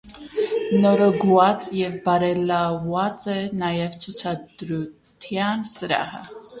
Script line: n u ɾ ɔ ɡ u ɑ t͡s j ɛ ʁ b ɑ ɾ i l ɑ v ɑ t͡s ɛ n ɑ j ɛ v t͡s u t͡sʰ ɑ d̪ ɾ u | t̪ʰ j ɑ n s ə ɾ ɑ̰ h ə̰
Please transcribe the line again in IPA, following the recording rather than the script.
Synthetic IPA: n ɔ ɾ ɔ ɡ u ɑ t͡s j ɛ v b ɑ ɾ ɛ l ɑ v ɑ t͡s ɛ n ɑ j ɛ v t͡sʰ u t͡sʰ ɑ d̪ ɾ u | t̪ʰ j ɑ n s ə ɾ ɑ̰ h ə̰